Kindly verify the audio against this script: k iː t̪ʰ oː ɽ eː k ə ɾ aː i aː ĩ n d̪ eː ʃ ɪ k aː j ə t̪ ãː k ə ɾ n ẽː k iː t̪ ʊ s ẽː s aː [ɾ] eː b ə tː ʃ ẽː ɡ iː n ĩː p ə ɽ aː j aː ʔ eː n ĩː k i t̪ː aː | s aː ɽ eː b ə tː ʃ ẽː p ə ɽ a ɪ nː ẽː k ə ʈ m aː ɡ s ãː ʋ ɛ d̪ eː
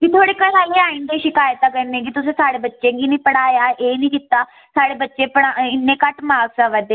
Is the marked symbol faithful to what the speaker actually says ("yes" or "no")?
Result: no